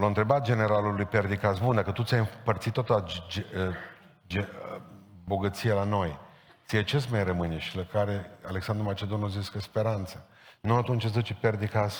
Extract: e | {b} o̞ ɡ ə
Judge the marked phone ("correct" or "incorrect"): correct